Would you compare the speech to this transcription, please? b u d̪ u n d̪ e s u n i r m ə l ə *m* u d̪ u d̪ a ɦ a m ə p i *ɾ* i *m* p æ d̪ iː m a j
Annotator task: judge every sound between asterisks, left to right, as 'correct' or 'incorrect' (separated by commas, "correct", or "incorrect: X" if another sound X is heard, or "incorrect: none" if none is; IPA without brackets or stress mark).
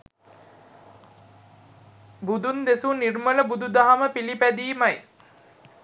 incorrect: b, incorrect: l, incorrect: none